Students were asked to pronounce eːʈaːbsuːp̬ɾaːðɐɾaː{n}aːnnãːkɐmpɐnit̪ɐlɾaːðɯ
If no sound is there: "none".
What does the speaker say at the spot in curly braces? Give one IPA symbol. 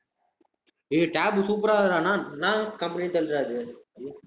n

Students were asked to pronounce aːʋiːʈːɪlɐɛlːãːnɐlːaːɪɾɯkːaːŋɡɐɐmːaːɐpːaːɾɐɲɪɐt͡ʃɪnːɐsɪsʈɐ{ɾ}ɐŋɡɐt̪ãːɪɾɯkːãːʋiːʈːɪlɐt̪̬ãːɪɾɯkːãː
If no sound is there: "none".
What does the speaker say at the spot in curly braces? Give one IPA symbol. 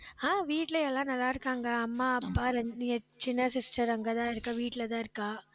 ɾ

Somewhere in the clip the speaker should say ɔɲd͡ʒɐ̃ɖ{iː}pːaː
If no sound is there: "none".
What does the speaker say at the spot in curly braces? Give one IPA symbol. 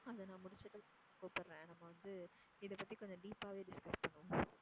iː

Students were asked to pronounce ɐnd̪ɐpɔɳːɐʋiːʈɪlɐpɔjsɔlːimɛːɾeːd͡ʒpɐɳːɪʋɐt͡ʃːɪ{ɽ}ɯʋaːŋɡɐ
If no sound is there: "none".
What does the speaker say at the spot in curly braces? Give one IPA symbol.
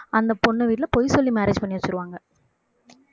ɾ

